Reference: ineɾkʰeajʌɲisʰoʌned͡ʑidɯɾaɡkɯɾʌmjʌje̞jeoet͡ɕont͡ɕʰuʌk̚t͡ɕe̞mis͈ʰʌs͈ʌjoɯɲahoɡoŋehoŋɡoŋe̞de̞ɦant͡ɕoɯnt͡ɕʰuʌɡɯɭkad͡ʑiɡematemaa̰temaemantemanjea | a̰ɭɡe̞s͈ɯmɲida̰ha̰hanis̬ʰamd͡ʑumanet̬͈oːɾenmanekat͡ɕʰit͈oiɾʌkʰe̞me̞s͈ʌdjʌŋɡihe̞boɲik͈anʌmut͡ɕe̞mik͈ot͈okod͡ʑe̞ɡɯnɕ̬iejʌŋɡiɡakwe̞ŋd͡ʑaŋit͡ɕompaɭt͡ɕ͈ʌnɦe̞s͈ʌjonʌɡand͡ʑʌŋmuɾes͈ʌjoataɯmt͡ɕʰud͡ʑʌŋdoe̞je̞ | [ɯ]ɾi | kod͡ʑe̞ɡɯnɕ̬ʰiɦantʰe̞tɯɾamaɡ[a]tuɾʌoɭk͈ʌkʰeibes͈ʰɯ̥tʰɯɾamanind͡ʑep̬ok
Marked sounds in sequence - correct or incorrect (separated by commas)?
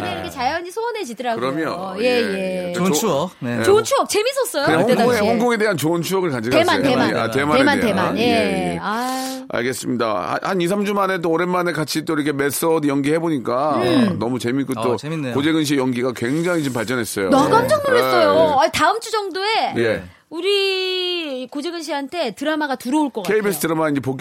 incorrect, correct